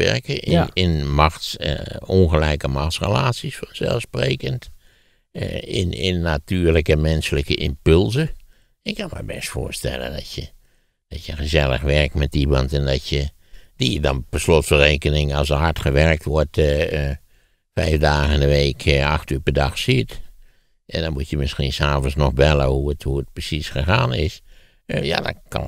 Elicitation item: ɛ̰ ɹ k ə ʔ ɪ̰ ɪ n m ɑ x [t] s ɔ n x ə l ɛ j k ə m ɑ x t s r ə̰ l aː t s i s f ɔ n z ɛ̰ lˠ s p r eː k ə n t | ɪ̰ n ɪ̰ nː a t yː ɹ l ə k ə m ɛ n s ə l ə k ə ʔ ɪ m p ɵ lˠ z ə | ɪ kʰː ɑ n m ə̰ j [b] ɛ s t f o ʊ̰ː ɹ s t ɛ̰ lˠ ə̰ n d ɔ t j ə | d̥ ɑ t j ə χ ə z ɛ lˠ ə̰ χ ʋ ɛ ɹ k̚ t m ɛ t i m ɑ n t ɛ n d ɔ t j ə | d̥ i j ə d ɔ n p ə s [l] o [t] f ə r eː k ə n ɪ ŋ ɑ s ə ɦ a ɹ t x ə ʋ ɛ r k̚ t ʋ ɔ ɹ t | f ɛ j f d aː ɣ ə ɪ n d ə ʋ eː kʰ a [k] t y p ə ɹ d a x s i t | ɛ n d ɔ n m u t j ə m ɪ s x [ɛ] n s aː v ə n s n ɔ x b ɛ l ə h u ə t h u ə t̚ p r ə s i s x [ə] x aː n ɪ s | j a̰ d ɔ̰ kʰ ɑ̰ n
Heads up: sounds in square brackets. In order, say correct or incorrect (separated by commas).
correct, correct, correct, correct, incorrect, incorrect, correct